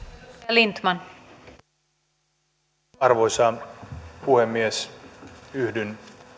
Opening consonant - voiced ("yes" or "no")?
yes